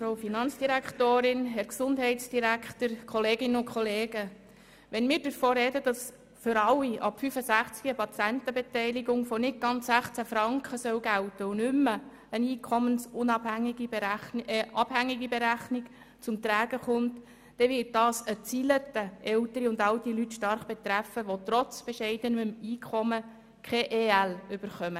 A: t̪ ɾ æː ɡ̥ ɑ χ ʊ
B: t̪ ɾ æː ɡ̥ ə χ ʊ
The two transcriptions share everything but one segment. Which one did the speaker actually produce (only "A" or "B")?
B